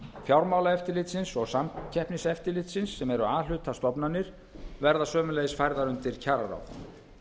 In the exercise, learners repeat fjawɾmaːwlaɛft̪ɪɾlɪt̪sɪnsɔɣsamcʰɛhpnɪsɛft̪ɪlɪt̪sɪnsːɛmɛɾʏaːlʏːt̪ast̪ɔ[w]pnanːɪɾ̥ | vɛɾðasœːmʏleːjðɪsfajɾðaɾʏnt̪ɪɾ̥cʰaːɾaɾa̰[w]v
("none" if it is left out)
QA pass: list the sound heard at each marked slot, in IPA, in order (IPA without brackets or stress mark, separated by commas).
none, w